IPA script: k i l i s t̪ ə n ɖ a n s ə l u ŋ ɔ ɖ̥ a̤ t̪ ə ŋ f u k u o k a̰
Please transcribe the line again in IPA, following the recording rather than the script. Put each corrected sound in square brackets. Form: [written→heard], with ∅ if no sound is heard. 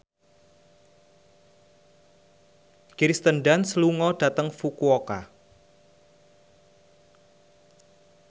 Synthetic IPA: k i [l→ɾ] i s t̪ ə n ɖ a n s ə l u ŋ ɔ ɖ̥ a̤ t̪ ə ŋ f u k u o k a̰